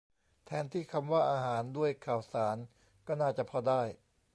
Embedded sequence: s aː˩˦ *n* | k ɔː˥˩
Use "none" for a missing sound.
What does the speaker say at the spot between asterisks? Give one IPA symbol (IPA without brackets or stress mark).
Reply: n